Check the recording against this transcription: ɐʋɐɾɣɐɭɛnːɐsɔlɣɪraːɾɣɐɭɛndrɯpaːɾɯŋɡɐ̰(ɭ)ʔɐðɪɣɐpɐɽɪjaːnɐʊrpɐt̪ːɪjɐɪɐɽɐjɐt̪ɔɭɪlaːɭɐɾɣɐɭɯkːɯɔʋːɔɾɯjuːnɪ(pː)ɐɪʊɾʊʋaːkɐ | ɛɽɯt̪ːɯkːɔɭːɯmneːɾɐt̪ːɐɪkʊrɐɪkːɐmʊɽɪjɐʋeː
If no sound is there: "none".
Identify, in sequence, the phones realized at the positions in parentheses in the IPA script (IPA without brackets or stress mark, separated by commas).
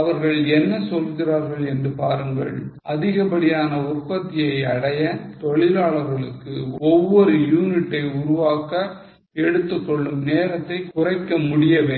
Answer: ɭ, ʈː